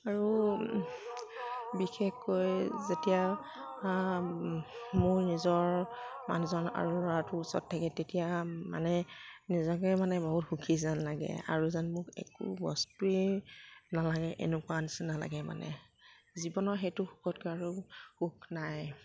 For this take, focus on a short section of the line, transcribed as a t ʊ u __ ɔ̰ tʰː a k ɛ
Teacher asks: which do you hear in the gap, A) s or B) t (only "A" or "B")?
A